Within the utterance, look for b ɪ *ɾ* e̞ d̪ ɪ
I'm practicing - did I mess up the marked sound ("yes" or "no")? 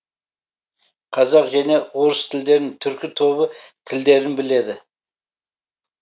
yes